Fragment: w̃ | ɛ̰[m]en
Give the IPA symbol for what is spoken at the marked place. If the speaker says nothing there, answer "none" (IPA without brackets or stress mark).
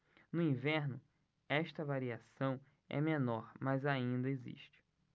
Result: m